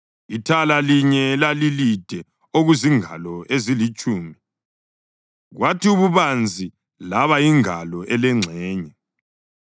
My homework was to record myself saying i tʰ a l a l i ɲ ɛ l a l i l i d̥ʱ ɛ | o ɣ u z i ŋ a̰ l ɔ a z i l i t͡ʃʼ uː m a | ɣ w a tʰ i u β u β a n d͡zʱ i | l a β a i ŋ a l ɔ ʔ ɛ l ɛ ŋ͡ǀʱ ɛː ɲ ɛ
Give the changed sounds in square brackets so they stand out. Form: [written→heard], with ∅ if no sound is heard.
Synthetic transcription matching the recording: i tʰ a l a l i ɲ ɛ l a l i l i d̥ʱ ɛ | o ɣ u z i ŋ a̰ l ɔ [a→e] z i l i t͡ʃʼ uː m [a→i] | ɣ w a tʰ i u β u β a n d͡zʱ i | l a β a i ŋ a l ɔ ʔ ɛ l ɛ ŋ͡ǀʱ ɛː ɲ ɛ